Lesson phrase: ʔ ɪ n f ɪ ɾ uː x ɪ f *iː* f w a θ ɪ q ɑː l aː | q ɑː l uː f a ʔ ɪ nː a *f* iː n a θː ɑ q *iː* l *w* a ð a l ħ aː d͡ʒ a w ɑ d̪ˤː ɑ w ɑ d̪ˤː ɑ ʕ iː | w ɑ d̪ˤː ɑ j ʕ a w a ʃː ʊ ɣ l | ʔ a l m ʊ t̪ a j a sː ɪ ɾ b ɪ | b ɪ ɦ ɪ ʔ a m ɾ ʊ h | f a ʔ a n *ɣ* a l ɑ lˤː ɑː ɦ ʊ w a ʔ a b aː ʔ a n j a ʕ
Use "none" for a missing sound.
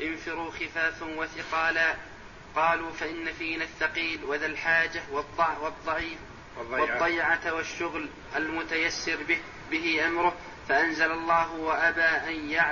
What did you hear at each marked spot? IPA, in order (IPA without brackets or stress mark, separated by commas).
aː, f, iː, w, z